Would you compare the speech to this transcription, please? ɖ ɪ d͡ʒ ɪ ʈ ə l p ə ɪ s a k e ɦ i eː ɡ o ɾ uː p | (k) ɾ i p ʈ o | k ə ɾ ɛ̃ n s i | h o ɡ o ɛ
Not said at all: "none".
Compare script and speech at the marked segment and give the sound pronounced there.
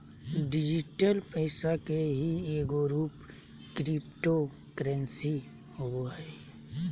k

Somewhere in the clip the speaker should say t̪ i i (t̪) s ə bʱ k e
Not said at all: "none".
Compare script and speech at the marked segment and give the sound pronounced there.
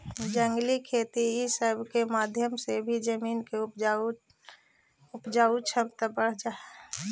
none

